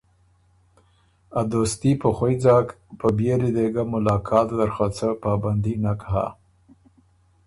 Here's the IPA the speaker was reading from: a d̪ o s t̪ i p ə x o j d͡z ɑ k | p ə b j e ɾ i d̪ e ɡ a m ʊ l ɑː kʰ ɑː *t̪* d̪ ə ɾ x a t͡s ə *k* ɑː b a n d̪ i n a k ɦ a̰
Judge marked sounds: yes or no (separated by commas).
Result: yes, no